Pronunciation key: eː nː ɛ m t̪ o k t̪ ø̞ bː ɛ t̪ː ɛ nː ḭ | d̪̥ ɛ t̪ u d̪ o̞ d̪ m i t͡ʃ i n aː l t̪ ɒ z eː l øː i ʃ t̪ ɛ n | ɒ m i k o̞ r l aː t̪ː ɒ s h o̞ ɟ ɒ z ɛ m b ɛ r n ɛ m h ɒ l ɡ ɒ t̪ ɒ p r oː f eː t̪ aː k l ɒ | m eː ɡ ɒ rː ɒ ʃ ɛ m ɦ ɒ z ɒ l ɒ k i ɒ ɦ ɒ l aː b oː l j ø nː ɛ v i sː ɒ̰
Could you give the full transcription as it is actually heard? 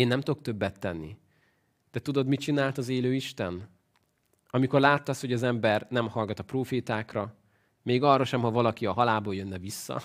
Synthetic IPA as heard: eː nː ɛ m t̪ o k t̪ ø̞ bː ɛ t̪ː ɛ nː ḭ | d̪̥ ɛ t̪ u d̪ o̞ d̪ m i t͡ʃ i n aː l t̪ ɒ z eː l øː i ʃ t̪ ɛ n | ɒ m i k o̞ r l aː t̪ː ɒ s h o̞ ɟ ɒ z ɛ m b ɛ r n ɛ m h ɒ l ɡ ɒ t̪ ɒ p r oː f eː t̪ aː k r ɒ | m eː ɡ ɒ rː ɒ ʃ ɛ m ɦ ɒ v ɒ l ɒ k i ɒ ɦ ɒ l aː b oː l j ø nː ɛ v i sː ɒ̰